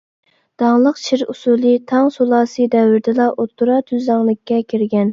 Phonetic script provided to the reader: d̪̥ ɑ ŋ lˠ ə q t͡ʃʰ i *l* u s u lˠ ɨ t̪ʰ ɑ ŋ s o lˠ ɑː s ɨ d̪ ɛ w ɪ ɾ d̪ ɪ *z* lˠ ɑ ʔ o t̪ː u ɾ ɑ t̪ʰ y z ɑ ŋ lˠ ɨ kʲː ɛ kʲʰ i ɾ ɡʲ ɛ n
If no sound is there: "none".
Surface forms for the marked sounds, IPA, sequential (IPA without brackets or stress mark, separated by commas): ɾ, none